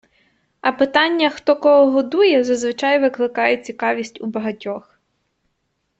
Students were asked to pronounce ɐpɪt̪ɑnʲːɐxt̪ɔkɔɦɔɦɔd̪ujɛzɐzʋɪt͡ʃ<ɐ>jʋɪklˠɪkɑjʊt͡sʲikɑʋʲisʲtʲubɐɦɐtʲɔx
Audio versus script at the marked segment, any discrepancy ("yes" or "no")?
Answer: yes